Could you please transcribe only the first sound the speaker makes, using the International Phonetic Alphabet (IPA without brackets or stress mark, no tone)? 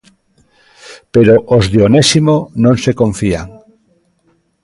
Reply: p